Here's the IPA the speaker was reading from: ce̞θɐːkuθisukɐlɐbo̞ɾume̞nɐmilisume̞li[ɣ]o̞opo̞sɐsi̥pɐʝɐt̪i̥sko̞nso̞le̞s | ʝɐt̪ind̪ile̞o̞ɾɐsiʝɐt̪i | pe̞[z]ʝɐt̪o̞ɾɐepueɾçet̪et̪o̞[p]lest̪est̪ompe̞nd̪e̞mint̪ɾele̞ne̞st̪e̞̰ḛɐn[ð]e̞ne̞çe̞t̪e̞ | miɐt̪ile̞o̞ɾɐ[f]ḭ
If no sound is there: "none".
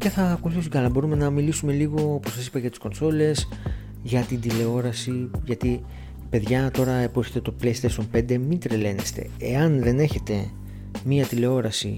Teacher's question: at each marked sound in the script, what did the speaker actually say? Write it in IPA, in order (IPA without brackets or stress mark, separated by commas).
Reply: ɣ, ð, p, ð, s